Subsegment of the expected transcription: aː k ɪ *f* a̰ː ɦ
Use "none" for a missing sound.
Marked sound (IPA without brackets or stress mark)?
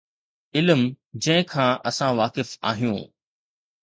f